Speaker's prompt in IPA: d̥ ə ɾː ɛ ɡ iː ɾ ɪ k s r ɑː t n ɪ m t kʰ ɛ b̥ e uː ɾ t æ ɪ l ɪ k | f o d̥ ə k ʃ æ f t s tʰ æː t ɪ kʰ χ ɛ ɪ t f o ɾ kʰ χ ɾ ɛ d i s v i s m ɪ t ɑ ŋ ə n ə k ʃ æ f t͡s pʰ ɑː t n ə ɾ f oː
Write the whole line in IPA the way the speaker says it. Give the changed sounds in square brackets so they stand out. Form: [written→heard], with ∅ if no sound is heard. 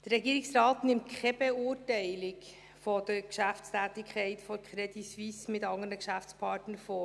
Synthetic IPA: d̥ ə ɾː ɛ ɡ iː ɾ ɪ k s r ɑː t n ɪ m t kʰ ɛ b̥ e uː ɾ t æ ɪ l ɪ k | f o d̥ ə k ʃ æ f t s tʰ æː t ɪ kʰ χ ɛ ɪ t f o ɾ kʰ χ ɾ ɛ d i s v i s m ɪ t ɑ ŋ ə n ə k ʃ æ f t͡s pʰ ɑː t n ə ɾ f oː

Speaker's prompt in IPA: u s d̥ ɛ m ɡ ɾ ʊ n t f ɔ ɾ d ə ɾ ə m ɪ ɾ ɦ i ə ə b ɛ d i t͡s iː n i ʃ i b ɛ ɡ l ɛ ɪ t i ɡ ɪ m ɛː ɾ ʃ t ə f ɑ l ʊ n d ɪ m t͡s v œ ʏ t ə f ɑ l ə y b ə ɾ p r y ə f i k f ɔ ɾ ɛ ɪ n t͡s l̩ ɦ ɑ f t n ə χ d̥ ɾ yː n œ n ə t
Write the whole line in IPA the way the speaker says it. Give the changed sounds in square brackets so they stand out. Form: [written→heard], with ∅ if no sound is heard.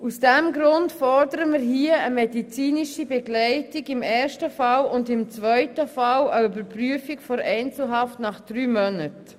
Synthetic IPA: u s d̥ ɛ m ɡ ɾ ʊ n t f ɔ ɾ d ə ɾ ə m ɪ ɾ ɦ i ə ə [b→m] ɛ d i t͡s iː n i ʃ i b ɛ ɡ l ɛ ɪ t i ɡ ɪ m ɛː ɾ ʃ t ə f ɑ l ʊ n d ɪ m t͡s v œ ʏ t ə f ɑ l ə y b ə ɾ p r y ə f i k f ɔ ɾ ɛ ɪ n t͡s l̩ ɦ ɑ f t n [ə→ɑ] χ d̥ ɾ yː [n→m] œ n ə t

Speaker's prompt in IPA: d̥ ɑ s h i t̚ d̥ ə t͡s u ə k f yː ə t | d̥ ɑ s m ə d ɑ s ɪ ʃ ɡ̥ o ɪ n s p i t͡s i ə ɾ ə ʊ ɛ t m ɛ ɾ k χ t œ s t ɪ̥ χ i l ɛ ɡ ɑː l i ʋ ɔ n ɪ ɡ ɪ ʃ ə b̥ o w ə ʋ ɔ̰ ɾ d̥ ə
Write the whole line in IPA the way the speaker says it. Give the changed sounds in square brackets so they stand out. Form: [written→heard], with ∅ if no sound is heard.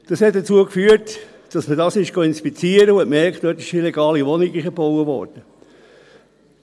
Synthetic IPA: d̥ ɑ s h [i→ɛ] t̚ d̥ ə t͡s u ə k f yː ə t | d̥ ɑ s m ə d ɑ s ɪ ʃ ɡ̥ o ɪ n s p i t͡s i ə ɾ ə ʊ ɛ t m ɛ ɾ k χ t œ [s→∅] t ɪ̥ [χ→ʃ] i l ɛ ɡ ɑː l i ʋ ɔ n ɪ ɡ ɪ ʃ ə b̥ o w ə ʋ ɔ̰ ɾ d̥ ə

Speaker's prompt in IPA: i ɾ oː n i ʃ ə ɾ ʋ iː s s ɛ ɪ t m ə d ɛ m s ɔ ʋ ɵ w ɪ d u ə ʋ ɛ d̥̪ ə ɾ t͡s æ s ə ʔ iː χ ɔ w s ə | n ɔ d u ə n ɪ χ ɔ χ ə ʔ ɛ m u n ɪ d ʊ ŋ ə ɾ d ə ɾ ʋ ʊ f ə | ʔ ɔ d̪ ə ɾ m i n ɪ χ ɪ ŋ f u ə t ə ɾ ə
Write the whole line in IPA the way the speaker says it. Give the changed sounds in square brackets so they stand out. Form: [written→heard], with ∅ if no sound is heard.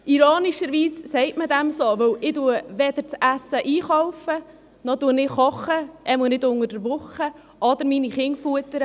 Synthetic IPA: i ɾ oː n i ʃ ə ɾ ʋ iː s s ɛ ɪ t m ə d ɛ m s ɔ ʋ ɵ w ɪ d u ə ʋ ɛ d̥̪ ə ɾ t͡s æ s ə ʔ iː χ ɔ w [s→f] ə | n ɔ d u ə n ɪ χ ɔ χ ə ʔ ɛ m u n ɪ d ʊ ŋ ə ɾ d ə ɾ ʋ ʊ [f→χ] ə | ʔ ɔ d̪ ə ɾ m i n [ɪ→i] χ ɪ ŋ f u ə t ə ɾ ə

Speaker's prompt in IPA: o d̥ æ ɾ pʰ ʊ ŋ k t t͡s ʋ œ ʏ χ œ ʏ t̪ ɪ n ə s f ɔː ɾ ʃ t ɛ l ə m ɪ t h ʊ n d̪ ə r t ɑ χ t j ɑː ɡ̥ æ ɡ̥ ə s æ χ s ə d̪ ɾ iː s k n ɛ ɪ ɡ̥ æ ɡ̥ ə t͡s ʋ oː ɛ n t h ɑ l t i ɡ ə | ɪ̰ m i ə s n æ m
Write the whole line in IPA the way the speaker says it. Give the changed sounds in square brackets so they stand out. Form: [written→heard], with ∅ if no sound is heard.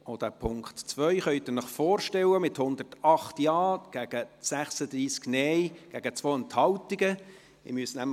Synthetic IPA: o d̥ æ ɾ pʰ ʊ ŋ k t t͡s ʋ œ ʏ χ œ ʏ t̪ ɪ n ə [s→χ] f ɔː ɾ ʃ t ɛ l ə m ɪ t h ʊ n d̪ ə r t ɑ χ t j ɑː ɡ̥ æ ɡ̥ ə s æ χ s ə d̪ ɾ iː s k n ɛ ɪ ɡ̥ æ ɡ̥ ə t͡s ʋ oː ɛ n t h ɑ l t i ɡ ə | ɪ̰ m [i→y] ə s n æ m

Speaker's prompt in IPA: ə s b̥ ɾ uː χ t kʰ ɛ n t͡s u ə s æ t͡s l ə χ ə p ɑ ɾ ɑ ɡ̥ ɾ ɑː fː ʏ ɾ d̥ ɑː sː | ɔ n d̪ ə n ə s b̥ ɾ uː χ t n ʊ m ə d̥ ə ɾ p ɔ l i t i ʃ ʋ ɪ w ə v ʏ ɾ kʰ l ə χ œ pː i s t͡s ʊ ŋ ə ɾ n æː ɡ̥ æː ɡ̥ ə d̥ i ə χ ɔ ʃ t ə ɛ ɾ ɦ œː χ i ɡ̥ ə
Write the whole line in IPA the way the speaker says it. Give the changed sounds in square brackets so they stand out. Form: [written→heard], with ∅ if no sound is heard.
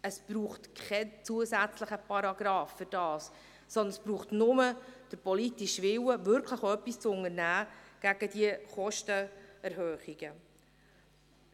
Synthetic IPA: ə s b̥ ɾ uː χ t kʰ ɛ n t͡s u ə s æ t͡s l ə χ ə p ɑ ɾ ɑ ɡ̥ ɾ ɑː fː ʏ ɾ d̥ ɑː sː | ɔ n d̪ ə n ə s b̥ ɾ uː χ t n ʊ m ə d̥ ə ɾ p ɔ l i t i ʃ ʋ ɪ w ə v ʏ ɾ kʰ l ə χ œ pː i s t͡s ʊ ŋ ə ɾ n æː ɡ̥ [æː→æ] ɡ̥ ə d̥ i ə χ ɔ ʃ t ə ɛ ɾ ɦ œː χ i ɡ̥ ə

